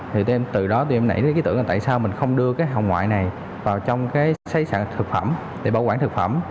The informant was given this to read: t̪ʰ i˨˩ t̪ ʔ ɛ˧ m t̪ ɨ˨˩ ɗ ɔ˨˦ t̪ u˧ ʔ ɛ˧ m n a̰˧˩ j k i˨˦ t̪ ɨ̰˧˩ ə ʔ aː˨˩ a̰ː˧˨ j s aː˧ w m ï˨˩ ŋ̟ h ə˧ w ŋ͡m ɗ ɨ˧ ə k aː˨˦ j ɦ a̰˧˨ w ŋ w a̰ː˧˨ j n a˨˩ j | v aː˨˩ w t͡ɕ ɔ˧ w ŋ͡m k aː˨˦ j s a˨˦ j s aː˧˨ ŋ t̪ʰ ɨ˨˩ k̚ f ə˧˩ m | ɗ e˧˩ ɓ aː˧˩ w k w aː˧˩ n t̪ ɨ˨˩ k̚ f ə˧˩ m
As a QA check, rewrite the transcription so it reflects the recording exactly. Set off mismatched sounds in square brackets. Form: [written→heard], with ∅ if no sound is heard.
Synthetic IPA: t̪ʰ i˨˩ t̪ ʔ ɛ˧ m t̪ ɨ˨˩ ɗ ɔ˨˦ t̪ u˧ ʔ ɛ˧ m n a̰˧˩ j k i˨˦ t̪ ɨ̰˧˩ ə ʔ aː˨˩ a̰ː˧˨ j s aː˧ w m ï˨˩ ŋ̟ [h→x] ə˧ w ŋ͡m ɗ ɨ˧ ə k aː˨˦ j ɦ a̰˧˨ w ŋ w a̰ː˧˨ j n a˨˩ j | v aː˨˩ w t͡ɕ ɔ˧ w ŋ͡m k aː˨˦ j s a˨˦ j s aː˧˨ ŋ t̪ʰ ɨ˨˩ k̚ f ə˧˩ m | ɗ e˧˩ ɓ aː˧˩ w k w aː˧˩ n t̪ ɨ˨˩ k̚ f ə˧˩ m